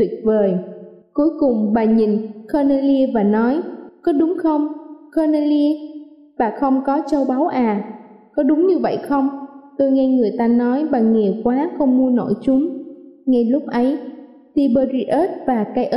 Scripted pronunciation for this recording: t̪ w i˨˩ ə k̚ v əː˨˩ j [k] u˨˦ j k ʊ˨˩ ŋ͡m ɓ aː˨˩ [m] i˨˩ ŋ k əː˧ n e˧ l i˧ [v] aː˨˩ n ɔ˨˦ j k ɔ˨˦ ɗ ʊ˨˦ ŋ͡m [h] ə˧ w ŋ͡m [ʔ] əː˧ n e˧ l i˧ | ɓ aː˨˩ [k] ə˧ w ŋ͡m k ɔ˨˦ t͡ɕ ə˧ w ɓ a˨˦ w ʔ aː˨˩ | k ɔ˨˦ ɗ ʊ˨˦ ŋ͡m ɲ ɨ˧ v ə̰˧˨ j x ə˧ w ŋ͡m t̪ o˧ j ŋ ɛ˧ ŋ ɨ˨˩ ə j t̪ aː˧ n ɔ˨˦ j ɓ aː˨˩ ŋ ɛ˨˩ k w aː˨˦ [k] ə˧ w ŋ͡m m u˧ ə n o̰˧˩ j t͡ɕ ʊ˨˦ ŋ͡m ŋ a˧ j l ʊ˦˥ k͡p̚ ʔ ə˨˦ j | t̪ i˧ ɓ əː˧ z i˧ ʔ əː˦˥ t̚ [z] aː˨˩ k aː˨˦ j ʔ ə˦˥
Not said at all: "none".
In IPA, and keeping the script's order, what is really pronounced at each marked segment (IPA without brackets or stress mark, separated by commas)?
k, ɲ, v, x, k, x, x, v